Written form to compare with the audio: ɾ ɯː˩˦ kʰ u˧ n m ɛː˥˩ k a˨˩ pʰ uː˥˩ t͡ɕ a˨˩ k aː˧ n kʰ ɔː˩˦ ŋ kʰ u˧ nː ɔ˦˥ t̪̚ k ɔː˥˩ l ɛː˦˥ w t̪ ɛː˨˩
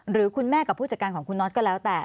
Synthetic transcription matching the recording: ɾ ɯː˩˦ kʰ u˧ n m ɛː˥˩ k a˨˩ pʰ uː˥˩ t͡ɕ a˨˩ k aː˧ n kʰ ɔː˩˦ ŋ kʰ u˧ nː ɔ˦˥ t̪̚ k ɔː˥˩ l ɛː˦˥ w t̪ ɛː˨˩